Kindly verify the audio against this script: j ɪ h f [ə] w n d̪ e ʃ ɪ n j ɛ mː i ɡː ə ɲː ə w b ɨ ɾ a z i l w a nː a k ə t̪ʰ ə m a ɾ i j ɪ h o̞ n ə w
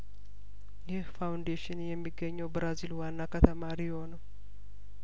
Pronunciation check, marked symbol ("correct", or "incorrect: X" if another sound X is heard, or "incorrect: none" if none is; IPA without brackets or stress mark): incorrect: a